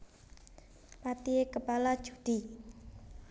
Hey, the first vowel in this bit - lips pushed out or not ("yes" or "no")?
no